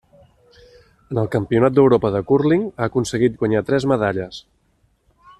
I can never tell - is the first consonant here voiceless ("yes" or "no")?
no